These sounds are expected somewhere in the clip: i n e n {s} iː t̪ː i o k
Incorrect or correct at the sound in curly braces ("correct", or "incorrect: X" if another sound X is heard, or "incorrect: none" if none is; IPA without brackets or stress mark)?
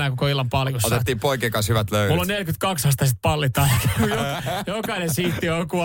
correct